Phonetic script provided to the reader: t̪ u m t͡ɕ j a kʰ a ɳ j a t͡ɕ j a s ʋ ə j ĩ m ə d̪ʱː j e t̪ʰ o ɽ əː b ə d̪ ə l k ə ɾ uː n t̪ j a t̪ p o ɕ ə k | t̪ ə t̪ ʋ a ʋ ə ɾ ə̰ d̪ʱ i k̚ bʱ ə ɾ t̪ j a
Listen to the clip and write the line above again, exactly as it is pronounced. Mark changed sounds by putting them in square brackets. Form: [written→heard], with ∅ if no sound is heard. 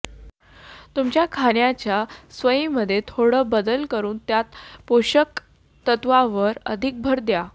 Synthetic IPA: t̪ u m t͡ɕ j a kʰ a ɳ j a t͡ɕ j a s ʋ ə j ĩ m ə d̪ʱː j e t̪ʰ o ɽ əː b ə d̪ ə l k ə ɾ uː n t̪ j a t̪ p o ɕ ə k | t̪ ə t̪ ʋ a ʋ ə ɾ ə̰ d̪ʱ i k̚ bʱ ə ɾ [t̪→d̪] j a